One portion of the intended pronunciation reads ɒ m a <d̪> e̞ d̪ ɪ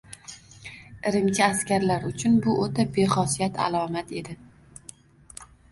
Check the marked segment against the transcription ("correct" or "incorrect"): incorrect